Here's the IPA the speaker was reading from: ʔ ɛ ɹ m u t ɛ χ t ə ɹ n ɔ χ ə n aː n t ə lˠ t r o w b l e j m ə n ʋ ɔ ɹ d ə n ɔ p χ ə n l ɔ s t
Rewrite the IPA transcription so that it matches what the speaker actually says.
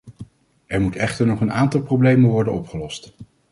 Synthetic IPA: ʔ ɛ ɹ m u t ɛ χ t ə ɹ n ɔ χ ə n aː n t ɑ lˠ p r o w b l e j m ə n ʋ ɔ ɹ d ə n ɔ p χ ə l ɔ s t